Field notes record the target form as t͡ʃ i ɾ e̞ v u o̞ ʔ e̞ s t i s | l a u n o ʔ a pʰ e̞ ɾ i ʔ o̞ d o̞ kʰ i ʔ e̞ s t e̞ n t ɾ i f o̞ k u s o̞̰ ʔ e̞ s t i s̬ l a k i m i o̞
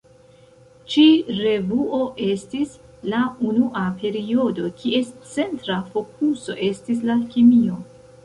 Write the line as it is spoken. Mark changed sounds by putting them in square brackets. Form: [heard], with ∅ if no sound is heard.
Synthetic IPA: t͡ʃ i ɾ e̞ v u o̞ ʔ e̞ s t i s | l a u n [u] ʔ a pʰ e̞ ɾ i [∅] o̞ d o̞ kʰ i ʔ e̞ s [t͡s] e̞ n t ɾ [a] f o̞ k u s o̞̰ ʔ e̞ s t i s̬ l a k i m i o̞